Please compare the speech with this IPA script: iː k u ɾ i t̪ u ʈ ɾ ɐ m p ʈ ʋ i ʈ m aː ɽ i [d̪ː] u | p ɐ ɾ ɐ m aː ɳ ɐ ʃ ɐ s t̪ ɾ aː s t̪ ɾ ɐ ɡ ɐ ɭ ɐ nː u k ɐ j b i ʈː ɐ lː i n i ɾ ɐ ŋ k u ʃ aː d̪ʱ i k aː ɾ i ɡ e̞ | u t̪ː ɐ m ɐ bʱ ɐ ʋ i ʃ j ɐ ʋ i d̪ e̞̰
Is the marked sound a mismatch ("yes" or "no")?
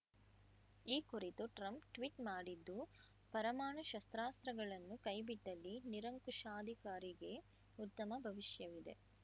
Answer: no